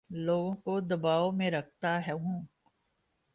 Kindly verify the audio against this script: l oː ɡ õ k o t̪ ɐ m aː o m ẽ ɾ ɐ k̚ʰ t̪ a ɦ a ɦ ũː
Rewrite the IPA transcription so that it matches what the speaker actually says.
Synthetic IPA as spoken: l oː ɡ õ k o d̪ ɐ b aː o m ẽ ɾ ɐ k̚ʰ t̪ a ɦ ɛ ɦ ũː